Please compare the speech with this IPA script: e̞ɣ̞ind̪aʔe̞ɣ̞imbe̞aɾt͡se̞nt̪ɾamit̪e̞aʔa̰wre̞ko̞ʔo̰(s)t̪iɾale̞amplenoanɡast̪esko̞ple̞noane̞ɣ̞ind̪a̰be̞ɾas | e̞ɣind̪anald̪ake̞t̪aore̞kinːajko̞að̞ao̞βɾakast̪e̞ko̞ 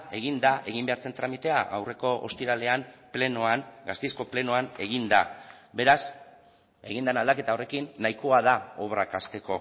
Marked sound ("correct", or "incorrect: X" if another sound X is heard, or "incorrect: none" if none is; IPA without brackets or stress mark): correct